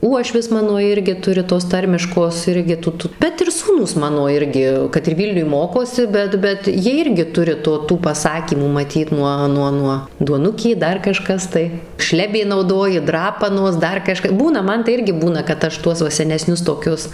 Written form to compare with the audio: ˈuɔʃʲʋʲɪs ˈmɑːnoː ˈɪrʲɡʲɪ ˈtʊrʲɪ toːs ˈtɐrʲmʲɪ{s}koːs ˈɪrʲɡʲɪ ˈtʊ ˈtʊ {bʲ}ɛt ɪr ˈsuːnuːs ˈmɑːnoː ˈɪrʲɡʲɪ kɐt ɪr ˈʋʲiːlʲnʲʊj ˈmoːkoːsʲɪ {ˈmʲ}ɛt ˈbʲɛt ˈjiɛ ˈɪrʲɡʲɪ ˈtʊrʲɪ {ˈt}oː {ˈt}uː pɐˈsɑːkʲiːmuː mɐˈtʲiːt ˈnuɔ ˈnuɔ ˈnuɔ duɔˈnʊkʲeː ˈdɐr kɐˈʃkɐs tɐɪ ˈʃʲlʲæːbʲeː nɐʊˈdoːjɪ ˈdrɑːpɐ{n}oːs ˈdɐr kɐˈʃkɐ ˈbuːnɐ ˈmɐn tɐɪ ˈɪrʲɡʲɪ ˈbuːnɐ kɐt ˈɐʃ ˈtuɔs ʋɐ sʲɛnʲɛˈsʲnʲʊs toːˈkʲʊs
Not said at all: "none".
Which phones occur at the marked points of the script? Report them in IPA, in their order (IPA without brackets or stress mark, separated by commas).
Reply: ʃ, bʲ, bʲ, t, t, n